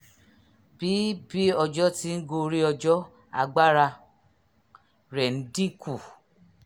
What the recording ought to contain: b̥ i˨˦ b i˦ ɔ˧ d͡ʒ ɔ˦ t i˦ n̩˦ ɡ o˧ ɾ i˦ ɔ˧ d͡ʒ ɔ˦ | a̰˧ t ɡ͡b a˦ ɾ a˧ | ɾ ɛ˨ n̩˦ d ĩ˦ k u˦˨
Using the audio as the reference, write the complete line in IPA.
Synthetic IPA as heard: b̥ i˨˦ b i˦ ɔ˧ d͡ʒ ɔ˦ t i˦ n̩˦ ɡ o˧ ɾ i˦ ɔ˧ d͡ʒ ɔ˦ | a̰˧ ɡ͡b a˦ ɾ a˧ | ɾ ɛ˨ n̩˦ d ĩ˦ k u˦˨